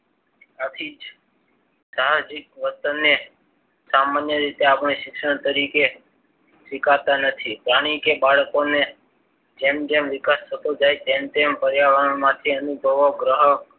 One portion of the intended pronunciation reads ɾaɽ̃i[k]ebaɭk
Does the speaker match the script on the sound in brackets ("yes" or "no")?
yes